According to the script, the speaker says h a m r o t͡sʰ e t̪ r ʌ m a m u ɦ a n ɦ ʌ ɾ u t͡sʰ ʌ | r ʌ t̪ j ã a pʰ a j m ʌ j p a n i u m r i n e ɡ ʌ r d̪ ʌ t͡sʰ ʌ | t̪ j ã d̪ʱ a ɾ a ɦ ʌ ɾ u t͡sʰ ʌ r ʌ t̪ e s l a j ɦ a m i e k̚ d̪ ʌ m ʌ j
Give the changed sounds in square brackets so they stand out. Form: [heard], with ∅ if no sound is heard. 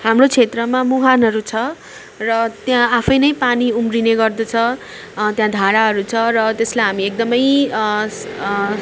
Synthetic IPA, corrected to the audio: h a m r o t͡sʰ e t̪ r ʌ m a m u ɦ a n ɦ ʌ ɾ u t͡sʰ ʌ | r ʌ t̪ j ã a pʰ [ʌ] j [n] ʌ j p a n i u m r i n e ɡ ʌ r d̪ ʌ t͡sʰ ʌ | t̪ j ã d̪ʱ a ɾ a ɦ ʌ ɾ u t͡sʰ ʌ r ʌ t̪ e s l a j ɦ a m i e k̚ d̪ ʌ m ʌ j